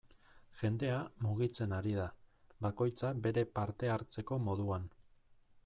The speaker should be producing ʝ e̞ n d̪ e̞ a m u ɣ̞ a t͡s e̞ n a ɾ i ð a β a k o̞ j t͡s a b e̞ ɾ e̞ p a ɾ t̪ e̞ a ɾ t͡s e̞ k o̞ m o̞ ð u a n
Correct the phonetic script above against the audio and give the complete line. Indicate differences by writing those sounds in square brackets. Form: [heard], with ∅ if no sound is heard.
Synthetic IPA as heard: ʝ e̞ n d̪ e̞ a m u ɣ̞ [i] t͡s e̞ n a ɾ i ð a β a k o̞ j t͡s a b e̞ ɾ e̞ p a ɾ t̪ e̞ a ɾ t͡s e̞ k o̞ m o̞ ð u a n